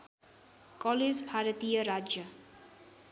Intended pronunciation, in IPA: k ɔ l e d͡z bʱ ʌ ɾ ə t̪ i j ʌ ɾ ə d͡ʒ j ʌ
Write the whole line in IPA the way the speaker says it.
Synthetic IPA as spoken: k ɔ l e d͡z bʱ a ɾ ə t̪ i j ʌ ɾ a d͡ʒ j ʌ